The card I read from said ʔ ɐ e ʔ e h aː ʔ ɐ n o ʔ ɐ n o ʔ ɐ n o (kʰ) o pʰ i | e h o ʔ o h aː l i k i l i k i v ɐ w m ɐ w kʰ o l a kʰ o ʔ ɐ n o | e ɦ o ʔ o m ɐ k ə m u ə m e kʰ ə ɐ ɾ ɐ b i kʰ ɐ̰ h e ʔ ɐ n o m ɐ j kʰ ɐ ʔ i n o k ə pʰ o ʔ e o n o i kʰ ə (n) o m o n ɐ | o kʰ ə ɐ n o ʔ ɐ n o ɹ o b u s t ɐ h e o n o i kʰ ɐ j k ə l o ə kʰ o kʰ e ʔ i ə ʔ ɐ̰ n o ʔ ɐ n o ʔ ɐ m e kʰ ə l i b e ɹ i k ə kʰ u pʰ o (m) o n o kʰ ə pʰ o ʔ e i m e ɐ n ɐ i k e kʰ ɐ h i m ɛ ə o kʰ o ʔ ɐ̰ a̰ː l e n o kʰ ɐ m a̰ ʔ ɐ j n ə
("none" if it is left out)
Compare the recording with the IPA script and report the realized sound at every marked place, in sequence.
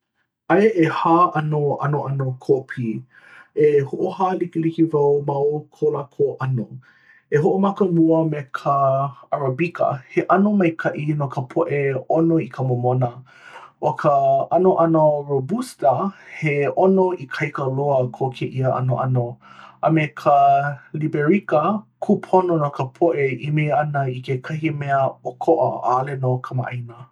kʰ, m, n

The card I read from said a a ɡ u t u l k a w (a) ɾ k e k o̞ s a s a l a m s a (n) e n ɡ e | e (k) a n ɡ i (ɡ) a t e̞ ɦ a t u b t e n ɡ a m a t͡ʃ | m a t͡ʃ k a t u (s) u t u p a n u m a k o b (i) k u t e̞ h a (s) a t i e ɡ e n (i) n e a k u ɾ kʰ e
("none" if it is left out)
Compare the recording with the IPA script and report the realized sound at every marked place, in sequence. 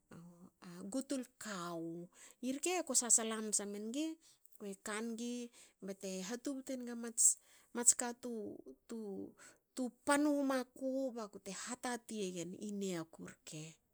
i, m, k, b, t, a, t, i

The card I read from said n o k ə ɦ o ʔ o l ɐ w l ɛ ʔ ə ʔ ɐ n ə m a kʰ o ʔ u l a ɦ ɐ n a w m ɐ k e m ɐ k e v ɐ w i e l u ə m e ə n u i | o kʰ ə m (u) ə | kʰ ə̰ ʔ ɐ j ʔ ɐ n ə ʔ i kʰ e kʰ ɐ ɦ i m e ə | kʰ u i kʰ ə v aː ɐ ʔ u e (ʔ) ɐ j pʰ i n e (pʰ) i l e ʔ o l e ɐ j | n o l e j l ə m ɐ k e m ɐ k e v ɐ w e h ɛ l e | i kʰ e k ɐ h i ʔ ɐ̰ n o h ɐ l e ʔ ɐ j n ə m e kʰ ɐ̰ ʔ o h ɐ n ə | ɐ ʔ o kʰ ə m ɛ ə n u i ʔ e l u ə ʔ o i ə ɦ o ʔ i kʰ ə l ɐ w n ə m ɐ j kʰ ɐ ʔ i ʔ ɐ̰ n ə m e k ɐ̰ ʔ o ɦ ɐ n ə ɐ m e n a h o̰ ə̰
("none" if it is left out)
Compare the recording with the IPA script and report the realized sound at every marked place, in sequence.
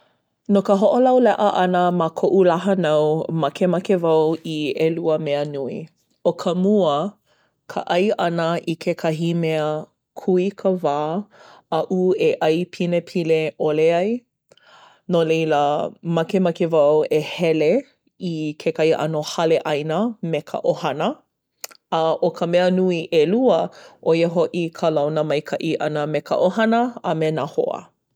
u, ʔ, pʰ

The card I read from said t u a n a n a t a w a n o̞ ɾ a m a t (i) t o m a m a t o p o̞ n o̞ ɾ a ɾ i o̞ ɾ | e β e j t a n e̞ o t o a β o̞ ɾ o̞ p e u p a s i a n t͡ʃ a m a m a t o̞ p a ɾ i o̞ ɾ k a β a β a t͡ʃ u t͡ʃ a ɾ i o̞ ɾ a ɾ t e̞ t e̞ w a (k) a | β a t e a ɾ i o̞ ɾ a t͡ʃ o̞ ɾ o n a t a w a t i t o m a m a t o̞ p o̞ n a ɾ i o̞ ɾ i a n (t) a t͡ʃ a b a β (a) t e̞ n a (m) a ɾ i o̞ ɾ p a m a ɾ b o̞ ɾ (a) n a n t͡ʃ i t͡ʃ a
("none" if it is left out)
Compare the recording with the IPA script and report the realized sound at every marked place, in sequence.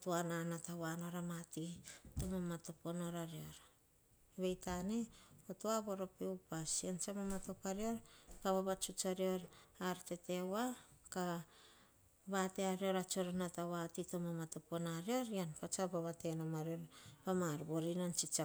i, k, p, a, m, i

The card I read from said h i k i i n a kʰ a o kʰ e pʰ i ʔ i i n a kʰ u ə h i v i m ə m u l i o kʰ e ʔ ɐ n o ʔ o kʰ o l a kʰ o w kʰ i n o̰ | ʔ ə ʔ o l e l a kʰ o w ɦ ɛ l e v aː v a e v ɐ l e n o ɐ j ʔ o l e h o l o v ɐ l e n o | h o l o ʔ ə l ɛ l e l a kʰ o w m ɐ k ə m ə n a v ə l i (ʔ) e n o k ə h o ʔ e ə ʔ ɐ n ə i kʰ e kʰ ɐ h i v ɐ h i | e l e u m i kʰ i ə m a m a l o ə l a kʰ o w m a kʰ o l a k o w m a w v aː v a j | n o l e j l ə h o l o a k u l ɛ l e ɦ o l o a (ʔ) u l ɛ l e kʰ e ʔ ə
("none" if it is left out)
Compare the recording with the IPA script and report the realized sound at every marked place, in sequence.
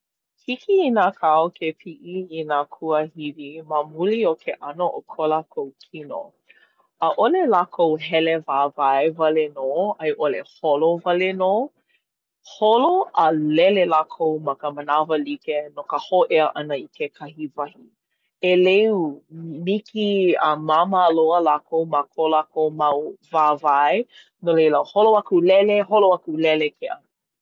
k, k

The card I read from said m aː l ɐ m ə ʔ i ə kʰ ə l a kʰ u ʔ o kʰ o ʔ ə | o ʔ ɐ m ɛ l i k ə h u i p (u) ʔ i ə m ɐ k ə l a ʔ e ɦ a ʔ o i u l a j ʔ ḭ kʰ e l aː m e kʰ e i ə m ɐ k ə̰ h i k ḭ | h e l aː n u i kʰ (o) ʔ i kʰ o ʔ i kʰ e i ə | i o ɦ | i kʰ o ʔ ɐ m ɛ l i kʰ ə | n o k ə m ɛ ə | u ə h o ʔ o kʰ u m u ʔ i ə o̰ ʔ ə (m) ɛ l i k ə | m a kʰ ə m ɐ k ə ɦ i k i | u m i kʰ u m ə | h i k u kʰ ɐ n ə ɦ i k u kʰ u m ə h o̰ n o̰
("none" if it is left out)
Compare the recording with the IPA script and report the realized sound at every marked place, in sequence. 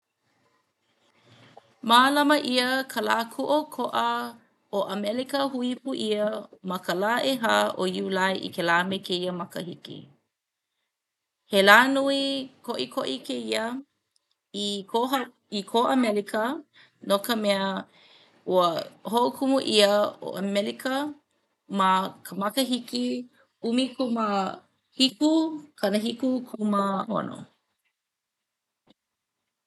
u, o, m

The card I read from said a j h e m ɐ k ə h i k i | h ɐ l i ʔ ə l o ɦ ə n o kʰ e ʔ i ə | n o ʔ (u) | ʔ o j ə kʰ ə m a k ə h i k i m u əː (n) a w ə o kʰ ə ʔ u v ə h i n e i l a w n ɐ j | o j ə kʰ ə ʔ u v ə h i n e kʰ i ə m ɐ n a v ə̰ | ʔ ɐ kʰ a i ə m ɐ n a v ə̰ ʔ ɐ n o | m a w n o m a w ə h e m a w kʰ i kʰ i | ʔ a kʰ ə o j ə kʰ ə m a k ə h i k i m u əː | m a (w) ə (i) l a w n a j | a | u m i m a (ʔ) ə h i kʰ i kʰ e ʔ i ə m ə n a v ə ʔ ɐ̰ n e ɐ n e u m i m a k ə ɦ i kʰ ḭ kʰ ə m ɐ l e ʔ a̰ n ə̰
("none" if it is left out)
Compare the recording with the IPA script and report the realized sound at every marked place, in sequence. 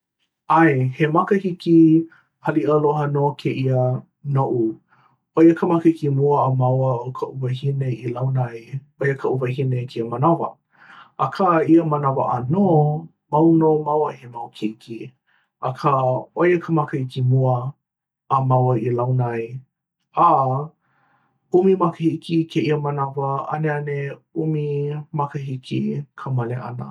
u, m, w, i, k

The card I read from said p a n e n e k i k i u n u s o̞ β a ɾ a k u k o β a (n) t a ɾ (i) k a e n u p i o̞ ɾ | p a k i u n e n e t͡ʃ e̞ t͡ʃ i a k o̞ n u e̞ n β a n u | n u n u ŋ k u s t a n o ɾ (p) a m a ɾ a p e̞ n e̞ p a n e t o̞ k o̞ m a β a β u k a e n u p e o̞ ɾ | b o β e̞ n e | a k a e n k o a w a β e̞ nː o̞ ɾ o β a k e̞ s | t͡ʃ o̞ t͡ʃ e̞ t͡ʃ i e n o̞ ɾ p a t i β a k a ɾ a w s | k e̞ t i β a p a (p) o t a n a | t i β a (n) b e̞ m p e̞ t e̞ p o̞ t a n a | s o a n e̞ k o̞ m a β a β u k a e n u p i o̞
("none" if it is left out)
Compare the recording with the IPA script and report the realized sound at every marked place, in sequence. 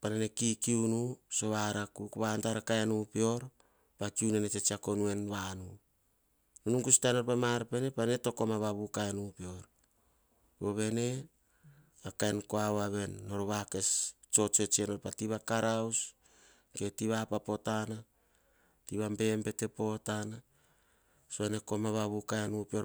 n, a, p, p, m

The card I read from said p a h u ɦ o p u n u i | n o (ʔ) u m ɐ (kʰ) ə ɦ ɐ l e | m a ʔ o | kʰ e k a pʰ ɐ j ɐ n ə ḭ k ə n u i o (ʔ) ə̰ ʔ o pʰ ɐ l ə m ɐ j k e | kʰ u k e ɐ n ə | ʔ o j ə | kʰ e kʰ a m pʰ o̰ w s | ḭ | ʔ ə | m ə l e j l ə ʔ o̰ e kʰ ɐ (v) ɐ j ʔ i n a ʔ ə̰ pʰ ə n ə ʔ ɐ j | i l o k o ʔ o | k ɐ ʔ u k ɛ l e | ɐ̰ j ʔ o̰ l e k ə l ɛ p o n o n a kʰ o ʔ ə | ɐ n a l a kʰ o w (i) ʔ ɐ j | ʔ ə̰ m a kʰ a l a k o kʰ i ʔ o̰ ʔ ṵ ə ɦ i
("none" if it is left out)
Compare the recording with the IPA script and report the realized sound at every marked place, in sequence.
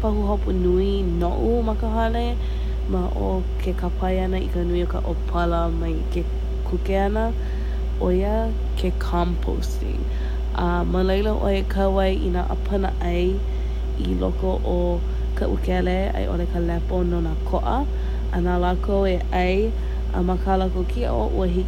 ʔ, k, k, w, e

